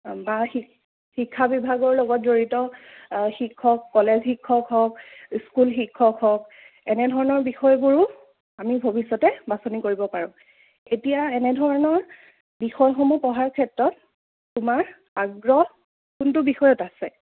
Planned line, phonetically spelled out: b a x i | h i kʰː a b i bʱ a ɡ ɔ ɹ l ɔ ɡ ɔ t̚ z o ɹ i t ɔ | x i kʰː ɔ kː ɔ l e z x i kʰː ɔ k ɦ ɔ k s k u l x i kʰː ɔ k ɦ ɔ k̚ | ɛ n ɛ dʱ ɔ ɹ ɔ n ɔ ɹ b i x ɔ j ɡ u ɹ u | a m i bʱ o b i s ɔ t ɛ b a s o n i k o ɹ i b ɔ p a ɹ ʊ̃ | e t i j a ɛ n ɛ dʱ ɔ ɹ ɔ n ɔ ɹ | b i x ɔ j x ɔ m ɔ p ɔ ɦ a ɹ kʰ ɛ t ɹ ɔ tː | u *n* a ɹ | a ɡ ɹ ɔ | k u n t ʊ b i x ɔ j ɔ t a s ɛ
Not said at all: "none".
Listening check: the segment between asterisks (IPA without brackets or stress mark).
m